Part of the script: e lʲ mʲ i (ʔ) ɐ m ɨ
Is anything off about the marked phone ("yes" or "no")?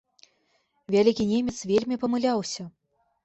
yes